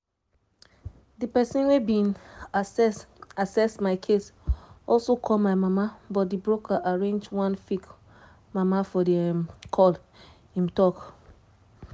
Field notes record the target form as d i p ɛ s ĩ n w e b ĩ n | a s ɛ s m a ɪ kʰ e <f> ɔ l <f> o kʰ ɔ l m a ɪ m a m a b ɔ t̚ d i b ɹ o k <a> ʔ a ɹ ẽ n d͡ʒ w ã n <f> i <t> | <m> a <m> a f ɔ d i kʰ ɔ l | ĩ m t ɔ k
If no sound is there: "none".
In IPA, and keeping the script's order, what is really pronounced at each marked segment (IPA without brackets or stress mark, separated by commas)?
s, s, a, f, k, m, m